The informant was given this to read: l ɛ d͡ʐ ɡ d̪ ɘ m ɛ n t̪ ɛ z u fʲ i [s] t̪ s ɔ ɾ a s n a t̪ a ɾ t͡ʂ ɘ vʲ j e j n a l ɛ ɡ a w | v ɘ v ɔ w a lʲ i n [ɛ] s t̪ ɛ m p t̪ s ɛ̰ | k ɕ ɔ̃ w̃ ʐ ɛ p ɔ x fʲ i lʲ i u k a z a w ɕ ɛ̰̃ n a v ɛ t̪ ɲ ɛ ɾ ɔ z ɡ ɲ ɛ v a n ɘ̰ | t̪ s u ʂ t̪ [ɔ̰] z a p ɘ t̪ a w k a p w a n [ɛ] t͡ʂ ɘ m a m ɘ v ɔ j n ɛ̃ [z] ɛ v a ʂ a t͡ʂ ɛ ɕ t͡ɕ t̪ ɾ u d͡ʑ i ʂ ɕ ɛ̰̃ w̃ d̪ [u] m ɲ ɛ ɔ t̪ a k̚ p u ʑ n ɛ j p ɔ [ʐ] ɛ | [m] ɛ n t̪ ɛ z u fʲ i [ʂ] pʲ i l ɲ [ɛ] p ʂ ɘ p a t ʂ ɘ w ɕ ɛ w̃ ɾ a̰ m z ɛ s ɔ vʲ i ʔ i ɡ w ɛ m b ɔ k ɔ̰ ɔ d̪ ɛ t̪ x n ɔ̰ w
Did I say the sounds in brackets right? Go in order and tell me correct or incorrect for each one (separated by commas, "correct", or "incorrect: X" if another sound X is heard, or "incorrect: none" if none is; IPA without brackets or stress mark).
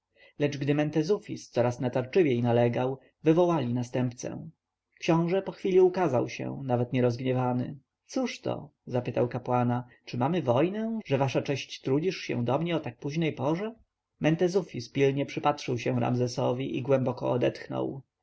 correct, incorrect: a, correct, incorrect: a, incorrect: ʐ, incorrect: ɔ, correct, correct, incorrect: s, correct